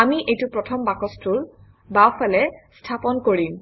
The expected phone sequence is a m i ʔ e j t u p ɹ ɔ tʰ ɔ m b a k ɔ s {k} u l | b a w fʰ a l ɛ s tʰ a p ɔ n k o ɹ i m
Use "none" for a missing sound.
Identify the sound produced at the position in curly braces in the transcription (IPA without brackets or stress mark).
t